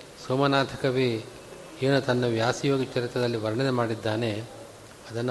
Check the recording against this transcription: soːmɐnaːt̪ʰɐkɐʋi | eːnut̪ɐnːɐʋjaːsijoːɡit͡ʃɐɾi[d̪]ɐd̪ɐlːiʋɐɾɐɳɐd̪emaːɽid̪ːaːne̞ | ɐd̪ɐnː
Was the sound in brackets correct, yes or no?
no